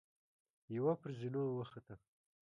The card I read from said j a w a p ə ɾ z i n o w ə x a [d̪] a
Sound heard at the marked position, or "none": t̪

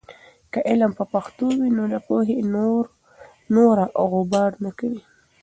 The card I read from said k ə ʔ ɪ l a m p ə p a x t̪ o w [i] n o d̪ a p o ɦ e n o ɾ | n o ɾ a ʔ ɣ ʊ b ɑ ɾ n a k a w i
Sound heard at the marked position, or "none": i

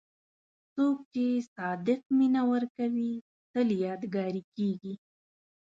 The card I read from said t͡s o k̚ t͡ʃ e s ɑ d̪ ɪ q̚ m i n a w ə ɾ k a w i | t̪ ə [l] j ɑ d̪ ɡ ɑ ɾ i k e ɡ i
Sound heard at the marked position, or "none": l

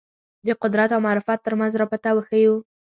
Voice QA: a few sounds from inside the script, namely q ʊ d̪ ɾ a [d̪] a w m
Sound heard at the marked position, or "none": t̪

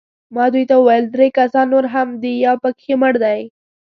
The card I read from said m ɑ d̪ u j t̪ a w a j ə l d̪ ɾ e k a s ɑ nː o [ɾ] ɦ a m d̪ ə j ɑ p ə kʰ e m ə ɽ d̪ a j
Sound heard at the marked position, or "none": ɾ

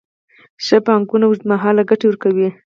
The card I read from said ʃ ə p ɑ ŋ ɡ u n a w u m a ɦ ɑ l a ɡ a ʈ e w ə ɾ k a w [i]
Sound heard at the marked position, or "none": i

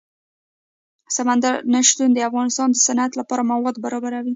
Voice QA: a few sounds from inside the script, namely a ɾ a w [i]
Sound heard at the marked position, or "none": i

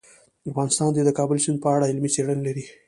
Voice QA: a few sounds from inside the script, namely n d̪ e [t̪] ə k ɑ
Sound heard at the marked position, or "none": d̪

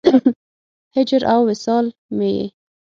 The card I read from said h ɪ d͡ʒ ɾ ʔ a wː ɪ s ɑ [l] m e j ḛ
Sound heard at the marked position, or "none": l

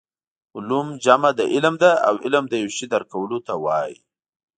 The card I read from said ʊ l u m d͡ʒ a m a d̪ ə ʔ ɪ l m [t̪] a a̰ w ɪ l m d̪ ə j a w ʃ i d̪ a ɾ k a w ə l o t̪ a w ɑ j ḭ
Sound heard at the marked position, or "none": d̪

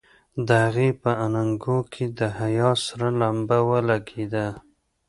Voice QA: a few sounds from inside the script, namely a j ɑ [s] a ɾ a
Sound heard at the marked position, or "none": s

